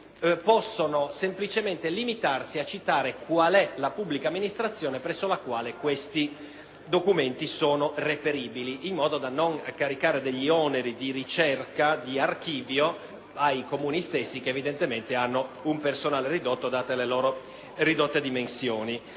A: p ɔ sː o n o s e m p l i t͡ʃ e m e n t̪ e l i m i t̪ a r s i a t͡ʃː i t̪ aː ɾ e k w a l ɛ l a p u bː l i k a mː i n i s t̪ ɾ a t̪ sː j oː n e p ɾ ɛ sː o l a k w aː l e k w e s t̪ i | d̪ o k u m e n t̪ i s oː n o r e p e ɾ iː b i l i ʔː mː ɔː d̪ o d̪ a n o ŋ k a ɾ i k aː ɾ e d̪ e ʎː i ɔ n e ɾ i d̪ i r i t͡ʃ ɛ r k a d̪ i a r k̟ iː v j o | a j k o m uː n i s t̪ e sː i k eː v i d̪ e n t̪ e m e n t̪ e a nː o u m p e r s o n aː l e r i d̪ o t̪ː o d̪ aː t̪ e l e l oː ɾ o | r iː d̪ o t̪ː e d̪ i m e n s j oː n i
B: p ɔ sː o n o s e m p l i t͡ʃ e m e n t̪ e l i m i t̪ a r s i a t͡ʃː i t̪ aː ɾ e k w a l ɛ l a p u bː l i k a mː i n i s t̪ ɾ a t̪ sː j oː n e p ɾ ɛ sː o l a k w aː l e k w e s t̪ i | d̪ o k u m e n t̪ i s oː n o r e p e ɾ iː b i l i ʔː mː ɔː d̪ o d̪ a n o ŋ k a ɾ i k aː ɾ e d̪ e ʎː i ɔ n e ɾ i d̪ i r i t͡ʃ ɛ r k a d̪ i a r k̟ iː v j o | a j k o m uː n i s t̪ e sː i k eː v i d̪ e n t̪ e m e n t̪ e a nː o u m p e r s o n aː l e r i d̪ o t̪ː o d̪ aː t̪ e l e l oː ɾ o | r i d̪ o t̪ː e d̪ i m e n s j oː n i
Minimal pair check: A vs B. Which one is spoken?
B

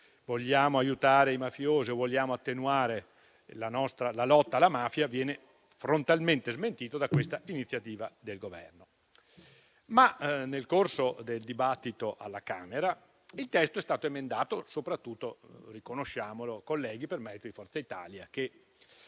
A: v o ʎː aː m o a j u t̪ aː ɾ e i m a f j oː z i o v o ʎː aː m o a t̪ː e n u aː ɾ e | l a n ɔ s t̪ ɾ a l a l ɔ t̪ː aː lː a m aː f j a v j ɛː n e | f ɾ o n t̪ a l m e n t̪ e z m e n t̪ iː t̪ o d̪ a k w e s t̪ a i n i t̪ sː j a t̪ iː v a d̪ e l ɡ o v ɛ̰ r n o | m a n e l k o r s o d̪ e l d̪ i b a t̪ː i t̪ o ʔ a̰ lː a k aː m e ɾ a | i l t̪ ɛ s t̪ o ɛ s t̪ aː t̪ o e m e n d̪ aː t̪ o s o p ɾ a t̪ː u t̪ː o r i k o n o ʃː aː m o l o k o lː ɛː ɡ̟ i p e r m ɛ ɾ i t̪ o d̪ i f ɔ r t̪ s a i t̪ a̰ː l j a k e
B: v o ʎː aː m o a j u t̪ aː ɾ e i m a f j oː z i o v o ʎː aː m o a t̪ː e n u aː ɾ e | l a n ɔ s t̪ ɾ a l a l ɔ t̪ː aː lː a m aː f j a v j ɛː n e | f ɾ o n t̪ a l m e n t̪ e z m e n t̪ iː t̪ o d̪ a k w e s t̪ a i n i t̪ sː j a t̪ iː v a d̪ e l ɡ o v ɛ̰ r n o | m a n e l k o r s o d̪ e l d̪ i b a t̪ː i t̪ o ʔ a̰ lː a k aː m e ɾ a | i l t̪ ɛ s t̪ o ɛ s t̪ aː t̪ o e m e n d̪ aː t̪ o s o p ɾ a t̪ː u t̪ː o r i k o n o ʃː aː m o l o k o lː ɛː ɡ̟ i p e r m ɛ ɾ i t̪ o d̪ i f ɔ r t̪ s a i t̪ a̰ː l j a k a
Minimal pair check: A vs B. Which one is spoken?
A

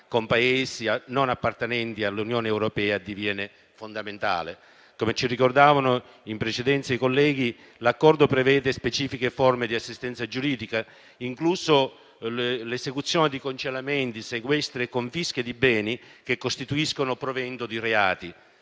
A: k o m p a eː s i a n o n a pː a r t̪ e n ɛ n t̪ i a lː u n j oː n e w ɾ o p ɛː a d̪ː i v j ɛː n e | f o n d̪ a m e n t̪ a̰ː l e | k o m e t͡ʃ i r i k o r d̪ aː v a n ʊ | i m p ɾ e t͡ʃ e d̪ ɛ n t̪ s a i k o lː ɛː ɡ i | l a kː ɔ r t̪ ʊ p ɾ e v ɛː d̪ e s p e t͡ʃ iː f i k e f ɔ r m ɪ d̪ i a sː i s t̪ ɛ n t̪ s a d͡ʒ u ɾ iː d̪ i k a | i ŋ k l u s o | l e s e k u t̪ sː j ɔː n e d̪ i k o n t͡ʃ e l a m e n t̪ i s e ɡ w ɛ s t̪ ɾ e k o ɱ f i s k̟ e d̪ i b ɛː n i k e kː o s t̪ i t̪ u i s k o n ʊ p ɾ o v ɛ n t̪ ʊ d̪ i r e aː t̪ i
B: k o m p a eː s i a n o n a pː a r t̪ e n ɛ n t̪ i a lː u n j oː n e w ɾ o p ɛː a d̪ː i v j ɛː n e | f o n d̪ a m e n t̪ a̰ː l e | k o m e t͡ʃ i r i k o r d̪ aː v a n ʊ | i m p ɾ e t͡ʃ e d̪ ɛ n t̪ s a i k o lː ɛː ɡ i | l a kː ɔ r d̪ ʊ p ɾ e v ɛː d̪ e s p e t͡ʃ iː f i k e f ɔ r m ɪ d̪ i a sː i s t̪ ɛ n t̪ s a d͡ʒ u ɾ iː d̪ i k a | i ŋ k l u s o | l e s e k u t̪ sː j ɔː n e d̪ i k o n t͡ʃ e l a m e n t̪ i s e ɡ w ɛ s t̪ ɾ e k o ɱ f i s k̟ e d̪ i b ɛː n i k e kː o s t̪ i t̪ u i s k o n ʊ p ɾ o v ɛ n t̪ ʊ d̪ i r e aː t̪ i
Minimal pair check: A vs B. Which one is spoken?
B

